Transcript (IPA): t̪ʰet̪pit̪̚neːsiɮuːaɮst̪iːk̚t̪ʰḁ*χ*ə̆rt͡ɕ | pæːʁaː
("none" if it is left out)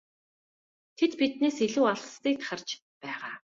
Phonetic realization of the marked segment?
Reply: χ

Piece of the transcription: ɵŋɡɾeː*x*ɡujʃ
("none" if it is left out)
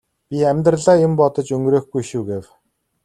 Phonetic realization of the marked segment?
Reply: x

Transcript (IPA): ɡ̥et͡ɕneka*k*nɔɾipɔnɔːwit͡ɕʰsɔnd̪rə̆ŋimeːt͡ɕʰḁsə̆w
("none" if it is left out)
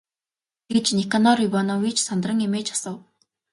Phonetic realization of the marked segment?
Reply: none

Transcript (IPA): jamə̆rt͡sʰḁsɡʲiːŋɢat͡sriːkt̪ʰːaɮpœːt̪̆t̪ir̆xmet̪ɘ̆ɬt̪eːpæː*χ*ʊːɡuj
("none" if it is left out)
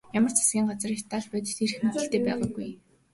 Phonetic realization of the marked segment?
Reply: ʁ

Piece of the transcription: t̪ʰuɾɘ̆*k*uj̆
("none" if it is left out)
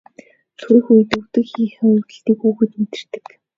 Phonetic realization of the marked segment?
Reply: x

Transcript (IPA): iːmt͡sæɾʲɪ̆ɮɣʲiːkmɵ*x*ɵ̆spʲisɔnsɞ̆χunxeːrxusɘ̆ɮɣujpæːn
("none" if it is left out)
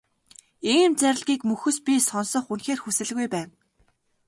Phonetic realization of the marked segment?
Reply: x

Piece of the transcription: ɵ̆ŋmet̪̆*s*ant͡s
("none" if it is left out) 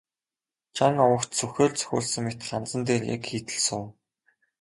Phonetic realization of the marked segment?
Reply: χ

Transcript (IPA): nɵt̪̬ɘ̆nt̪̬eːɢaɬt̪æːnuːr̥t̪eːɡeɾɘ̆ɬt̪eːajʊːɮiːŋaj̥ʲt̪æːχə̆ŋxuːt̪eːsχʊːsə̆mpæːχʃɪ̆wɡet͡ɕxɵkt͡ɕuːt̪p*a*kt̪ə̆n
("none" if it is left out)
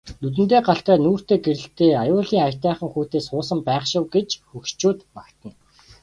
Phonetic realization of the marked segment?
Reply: a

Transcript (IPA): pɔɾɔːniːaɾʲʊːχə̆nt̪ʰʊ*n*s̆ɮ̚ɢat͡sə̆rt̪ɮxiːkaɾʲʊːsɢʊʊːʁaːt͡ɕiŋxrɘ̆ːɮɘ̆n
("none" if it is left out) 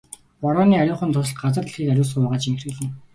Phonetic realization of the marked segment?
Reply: none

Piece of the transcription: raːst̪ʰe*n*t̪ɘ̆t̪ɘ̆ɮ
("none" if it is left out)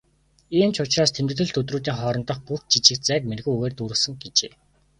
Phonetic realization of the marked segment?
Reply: m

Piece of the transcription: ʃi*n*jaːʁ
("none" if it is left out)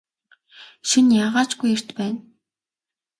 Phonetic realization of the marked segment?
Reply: n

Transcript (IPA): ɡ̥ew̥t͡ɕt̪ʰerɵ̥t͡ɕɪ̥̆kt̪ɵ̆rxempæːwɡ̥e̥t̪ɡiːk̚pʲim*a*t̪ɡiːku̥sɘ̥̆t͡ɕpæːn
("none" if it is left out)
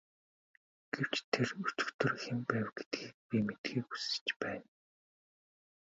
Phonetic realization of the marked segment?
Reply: e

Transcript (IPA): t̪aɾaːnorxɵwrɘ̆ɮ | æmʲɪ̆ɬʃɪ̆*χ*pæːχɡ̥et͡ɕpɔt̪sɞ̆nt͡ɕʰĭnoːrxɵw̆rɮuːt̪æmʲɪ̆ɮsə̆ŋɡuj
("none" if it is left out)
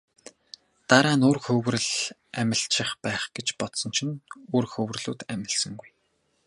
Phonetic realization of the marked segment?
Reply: χ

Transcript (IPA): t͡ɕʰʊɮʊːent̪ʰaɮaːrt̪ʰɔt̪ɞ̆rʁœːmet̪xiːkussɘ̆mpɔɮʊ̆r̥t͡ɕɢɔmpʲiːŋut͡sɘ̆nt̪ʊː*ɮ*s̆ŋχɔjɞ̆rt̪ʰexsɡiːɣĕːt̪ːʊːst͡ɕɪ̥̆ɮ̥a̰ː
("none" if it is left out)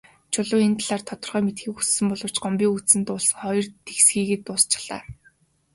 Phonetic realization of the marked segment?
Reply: ɮ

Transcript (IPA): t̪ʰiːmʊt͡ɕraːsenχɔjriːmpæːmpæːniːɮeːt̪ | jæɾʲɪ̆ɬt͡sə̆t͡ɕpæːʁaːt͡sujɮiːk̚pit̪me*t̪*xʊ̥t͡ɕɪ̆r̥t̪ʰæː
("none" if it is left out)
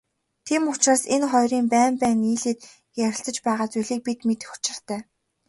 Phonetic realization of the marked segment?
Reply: t̪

